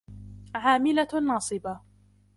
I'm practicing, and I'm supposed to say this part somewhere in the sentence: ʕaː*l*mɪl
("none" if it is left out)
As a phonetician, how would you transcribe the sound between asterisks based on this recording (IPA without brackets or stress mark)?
none